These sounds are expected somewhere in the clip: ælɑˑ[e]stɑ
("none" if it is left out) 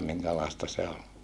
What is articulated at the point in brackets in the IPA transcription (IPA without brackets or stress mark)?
e